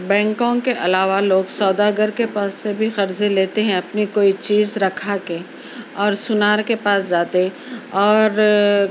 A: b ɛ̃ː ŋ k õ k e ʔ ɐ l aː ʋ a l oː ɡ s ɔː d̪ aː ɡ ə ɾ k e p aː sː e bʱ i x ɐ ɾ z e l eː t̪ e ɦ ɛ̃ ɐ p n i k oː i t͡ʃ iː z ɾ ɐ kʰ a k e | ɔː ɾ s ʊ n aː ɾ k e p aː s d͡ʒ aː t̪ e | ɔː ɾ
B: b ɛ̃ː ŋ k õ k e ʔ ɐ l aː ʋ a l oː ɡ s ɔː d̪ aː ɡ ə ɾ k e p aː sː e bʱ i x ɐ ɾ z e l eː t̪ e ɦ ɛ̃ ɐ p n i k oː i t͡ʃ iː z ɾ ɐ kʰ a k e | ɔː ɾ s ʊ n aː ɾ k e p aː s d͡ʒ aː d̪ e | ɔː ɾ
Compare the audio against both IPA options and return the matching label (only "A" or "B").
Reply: A